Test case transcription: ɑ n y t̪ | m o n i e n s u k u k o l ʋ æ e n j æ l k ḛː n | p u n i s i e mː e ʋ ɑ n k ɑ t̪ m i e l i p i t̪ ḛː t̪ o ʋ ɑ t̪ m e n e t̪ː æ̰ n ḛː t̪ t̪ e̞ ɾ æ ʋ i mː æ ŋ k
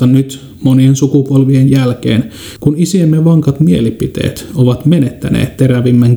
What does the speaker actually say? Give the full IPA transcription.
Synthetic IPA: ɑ n y t̪ | m o n i e n s u k u p o l ʋ i e n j æ l k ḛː n | k u n i s i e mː e ʋ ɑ ŋ k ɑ t̪ m i e l i p i t̪ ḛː t̪ o ʋ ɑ t̪ m e n e t̪ː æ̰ n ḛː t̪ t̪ e̞ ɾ æ ʋ i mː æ ŋ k